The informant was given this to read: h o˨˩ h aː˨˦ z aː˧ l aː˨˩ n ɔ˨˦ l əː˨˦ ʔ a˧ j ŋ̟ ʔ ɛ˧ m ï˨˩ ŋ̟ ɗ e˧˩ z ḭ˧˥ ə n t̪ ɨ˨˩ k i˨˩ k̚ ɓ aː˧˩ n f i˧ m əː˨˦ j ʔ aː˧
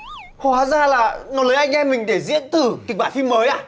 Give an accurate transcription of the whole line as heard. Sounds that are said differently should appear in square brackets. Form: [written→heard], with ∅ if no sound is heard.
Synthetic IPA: h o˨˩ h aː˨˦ z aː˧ l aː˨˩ n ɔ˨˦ l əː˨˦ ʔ a˧ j ŋ̟ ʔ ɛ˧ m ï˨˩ ŋ̟ ɗ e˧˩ z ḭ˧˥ ə n t̪ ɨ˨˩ k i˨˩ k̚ ɓ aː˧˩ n f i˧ m əː˨˦ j ʔ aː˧

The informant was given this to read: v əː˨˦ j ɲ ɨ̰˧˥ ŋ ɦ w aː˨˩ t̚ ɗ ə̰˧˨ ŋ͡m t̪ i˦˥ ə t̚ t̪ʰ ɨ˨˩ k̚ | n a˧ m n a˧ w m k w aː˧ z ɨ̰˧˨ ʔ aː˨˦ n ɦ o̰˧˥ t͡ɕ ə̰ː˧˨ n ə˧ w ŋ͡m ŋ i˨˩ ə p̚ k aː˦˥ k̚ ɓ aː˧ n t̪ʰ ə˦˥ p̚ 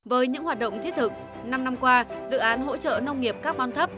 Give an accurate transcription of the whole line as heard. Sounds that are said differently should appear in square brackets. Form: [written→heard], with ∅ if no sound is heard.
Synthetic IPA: v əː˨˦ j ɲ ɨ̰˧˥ ŋ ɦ w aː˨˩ t̚ ɗ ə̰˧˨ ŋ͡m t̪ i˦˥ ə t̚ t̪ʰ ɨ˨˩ k̚ | n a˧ m n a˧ [w→∅] m k w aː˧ z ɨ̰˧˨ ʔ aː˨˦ n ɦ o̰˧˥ t͡ɕ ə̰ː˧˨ n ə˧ w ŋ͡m ŋ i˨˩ ə p̚ k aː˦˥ k̚ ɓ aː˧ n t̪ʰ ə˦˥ p̚

